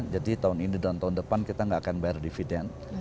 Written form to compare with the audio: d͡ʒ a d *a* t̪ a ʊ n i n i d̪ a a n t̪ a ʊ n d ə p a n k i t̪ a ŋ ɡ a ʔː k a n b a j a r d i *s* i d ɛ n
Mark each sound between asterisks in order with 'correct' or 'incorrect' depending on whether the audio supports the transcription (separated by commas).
incorrect, incorrect